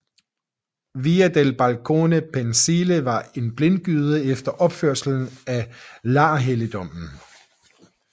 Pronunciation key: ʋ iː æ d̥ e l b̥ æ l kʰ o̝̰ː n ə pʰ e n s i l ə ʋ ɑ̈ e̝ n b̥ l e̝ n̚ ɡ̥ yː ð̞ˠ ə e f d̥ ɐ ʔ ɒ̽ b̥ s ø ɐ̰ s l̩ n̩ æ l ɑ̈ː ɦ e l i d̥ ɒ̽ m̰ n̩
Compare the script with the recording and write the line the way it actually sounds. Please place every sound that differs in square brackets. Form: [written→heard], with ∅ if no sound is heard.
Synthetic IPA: ʋ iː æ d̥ e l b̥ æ l kʰ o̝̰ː n ə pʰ e n s i l ə ʋ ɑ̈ e̝ n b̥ l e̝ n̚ ɡ̥ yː ð̞ˠ ə e f d̥ ɐ ʔ ɒ̽ b̥ [s→f] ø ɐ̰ s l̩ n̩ æ l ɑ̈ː ɦ e l i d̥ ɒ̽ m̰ n̩

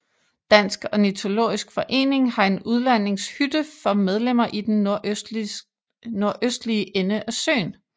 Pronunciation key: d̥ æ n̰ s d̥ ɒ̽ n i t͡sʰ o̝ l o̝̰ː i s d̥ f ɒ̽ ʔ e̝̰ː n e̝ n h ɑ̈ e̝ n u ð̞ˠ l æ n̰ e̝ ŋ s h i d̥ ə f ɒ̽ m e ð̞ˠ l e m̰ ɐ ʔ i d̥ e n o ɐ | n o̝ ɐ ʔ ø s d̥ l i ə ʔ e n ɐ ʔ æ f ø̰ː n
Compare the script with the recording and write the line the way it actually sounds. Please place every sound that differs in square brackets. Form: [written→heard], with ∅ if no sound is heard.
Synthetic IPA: d̥ æ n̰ s [d̥→ɡ̥] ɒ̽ n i t͡sʰ o̝ l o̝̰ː i s [d̥→ɡ̥] f ɒ̽ ʔ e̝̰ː n e̝ [n→ŋ] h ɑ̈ e̝ n u ð̞ˠ l æ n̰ e̝ ŋ s h [i→y] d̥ ə f ɒ̽ m e ð̞ˠ l e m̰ ɐ ʔ i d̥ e n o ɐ | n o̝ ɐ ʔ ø s d̥ l i ə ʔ e n [ɐ→ə] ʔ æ [f→s] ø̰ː n

